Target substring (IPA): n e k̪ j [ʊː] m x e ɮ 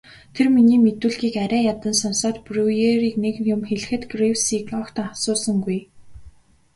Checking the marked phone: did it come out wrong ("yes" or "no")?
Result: yes